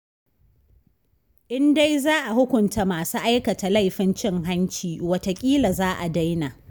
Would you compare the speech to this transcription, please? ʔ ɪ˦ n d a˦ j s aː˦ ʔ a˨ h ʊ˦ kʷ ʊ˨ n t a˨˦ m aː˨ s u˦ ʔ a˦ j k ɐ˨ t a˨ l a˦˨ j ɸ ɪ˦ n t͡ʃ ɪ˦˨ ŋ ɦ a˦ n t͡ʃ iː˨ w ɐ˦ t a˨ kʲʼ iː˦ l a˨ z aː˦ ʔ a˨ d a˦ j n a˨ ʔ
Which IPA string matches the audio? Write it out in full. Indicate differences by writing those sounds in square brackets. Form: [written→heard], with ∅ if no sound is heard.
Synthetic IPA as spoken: ʔ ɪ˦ n d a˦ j [s→z] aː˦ ʔ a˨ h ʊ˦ kʷ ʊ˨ n t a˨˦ m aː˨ s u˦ ʔ a˦ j k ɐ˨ t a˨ l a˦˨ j ɸ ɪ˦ n t͡ʃ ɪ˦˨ ŋ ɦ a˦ n t͡ʃ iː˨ w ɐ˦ t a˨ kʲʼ iː˦ l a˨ z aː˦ ʔ a˨ d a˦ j n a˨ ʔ